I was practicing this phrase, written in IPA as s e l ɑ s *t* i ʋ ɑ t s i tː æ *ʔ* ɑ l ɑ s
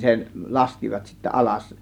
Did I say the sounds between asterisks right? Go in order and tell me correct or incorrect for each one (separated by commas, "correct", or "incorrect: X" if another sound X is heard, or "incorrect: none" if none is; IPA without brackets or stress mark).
incorrect: k, correct